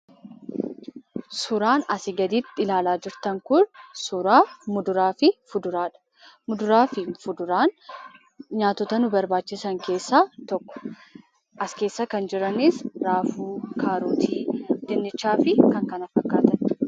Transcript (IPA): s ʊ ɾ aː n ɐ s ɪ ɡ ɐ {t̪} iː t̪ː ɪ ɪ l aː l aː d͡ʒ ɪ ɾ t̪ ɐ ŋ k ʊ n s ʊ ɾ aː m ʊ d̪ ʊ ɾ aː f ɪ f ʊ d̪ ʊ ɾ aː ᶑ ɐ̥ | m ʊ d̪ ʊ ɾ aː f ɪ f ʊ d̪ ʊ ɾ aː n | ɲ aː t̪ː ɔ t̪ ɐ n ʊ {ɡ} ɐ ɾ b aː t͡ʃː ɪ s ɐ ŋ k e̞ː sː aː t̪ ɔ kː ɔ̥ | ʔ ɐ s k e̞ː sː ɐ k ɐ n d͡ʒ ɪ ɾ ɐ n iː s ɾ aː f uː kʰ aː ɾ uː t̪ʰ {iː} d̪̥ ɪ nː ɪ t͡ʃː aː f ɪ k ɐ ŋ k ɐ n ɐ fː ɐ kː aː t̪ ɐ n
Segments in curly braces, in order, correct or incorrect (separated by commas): incorrect, incorrect, correct